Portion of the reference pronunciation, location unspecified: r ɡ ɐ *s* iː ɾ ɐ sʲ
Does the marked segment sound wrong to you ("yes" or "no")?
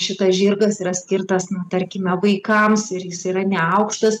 no